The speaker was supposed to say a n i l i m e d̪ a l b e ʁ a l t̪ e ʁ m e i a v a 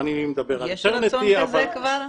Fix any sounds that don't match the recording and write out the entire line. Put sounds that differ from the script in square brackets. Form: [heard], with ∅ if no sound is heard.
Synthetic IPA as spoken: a n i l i m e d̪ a [∅] b e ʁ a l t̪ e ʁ [n] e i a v a